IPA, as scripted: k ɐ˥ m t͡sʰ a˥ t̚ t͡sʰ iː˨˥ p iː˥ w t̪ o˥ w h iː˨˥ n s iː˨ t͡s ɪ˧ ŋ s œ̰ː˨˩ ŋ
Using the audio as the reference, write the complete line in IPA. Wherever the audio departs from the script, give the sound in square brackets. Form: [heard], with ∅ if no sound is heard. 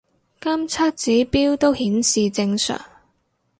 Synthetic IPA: k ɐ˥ m t͡sʰ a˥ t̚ [t͡s] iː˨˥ p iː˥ w t̪ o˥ w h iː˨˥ n s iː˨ t͡s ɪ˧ ŋ s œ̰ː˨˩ ŋ